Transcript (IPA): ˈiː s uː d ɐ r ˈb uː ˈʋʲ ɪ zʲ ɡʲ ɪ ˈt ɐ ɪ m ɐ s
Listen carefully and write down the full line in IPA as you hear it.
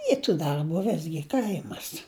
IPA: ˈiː t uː d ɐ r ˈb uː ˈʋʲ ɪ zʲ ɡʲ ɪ ˈk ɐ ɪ m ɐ s